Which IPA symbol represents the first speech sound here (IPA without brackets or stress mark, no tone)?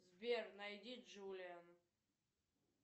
z